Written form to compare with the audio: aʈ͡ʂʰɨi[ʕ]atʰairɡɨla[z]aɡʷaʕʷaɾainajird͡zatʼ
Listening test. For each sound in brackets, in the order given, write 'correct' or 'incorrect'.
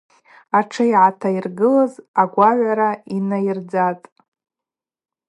correct, correct

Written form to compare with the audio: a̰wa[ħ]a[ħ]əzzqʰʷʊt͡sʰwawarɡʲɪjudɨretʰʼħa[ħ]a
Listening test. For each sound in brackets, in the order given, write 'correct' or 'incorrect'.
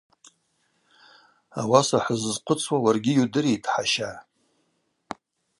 incorrect: s, correct, incorrect: ʃ

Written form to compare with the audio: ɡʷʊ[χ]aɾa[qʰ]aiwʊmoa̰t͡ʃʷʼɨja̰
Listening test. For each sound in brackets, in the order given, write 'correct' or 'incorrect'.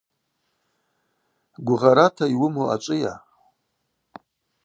incorrect: ʁ, incorrect: tʰ

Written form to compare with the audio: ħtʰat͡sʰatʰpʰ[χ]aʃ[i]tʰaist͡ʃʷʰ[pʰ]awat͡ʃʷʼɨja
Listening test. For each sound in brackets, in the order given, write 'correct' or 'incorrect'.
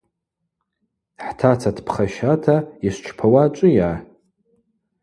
correct, incorrect: a, correct

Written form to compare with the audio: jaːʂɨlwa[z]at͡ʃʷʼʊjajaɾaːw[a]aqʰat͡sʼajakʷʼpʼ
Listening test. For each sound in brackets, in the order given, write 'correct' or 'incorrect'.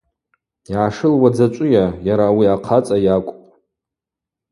incorrect: d͡z, incorrect: i

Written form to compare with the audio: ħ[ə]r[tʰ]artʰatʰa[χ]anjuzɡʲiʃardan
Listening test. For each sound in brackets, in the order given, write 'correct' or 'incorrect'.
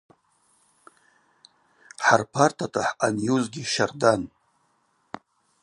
incorrect: a, incorrect: pʰ, incorrect: ħ

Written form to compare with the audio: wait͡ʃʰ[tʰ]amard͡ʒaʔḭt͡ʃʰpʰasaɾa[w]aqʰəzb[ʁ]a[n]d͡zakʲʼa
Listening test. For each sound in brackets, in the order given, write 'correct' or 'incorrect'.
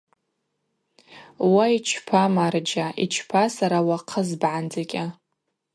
incorrect: pʰ, correct, incorrect: ʕ, correct

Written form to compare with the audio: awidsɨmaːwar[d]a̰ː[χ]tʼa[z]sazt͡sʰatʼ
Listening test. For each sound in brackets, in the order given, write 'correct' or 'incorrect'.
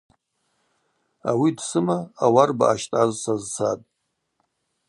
incorrect: b, incorrect: ʃ, correct

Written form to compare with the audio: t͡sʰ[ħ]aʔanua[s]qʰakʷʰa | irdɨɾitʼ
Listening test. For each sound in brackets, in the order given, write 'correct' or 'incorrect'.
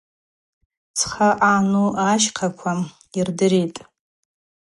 incorrect: χ, incorrect: ʃ

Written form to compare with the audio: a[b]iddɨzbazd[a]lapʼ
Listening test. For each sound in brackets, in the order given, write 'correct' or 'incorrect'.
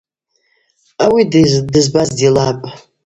incorrect: w, incorrect: i

